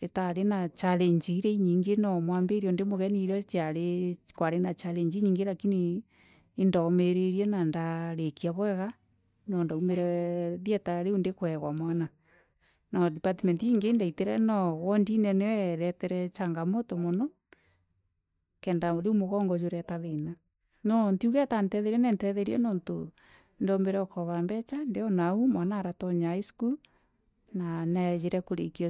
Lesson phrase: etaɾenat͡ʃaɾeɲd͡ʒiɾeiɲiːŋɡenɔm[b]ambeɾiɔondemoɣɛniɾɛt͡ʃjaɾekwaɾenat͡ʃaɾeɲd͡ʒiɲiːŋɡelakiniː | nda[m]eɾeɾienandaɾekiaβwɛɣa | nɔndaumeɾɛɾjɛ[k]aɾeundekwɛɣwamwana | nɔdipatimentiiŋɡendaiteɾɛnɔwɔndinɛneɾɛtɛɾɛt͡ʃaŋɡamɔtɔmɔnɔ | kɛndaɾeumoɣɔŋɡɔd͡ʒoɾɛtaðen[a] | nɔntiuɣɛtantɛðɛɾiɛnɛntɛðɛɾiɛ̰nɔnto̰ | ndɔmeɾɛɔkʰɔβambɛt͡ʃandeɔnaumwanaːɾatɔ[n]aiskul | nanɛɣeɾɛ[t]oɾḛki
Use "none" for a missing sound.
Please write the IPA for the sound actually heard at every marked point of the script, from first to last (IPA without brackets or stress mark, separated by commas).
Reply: w, m, t, a, ɲ, k